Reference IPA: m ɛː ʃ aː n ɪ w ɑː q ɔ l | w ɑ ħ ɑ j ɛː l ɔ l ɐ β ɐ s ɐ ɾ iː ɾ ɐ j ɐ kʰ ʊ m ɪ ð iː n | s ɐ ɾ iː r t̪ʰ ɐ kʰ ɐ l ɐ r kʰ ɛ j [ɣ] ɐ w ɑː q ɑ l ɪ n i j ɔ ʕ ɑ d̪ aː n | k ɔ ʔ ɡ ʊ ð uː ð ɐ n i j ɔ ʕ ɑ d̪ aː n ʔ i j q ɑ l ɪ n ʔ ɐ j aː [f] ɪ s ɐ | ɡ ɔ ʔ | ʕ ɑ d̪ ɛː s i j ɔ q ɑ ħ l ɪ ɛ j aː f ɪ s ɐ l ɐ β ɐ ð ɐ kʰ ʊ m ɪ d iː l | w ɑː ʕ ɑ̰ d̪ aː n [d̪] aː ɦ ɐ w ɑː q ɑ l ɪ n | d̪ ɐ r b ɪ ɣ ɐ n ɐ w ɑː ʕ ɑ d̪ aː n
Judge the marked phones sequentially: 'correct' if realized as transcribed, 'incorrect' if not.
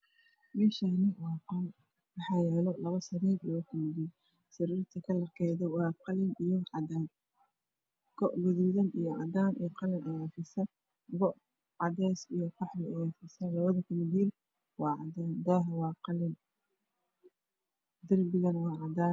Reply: incorrect, correct, correct

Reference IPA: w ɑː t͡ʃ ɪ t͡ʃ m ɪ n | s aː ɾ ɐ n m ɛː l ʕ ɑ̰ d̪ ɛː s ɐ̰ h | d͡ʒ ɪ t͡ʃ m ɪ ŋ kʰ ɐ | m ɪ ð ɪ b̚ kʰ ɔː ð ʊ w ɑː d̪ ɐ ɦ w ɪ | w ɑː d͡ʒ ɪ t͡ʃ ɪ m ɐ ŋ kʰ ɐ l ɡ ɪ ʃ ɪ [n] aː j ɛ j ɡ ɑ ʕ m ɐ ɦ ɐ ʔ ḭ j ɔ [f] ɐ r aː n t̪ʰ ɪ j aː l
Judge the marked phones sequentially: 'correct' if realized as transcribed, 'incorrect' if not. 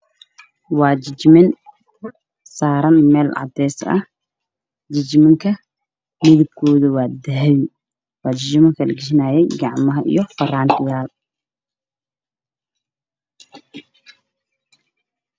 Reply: correct, correct

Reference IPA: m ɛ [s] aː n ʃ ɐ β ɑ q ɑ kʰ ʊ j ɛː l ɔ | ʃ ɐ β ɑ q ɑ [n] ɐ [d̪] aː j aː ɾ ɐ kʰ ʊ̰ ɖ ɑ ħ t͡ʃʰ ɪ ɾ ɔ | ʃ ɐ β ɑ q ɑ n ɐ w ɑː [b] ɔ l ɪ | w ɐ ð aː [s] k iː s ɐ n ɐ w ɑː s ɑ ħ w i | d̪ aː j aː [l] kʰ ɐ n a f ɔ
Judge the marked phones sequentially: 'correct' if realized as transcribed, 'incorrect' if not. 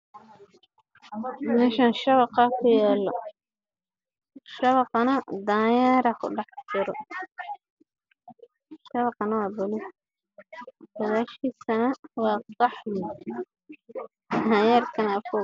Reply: incorrect, correct, correct, correct, incorrect, incorrect

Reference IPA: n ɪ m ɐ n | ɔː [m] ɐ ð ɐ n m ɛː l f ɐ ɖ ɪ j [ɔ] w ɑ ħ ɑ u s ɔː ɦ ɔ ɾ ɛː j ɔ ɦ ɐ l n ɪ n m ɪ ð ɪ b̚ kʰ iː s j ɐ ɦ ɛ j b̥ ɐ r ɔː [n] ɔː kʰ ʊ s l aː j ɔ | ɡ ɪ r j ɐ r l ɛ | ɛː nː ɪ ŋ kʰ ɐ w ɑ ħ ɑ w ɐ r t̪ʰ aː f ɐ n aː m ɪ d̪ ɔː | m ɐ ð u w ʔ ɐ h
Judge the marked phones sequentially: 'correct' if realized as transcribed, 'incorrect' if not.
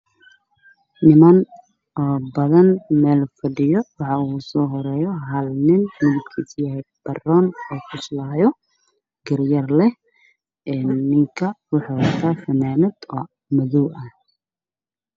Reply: incorrect, correct, correct

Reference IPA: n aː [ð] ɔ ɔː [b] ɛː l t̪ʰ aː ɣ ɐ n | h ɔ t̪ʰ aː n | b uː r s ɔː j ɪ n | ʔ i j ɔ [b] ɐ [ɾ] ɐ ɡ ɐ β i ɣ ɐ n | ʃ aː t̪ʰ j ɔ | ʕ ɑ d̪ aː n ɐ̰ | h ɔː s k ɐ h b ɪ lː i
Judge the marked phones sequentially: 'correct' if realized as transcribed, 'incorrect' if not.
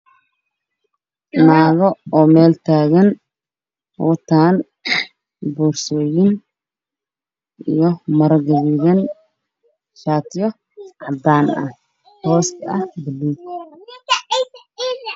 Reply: incorrect, incorrect, incorrect, correct

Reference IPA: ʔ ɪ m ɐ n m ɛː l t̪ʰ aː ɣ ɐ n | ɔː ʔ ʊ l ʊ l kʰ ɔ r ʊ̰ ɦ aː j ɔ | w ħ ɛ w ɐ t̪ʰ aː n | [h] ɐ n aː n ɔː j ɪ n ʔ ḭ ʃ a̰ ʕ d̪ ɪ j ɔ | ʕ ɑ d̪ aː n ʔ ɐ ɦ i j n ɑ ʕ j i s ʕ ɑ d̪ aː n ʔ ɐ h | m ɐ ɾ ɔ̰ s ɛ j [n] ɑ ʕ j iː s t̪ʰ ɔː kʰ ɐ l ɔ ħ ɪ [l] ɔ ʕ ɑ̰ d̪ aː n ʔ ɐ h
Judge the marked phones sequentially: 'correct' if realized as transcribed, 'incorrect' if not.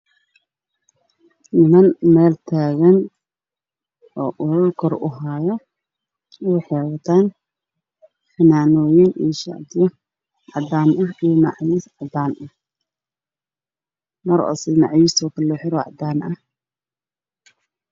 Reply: incorrect, correct, incorrect

